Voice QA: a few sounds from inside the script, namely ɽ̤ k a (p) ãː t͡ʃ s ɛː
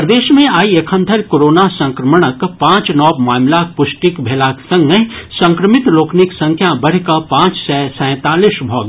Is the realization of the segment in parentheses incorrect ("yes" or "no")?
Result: no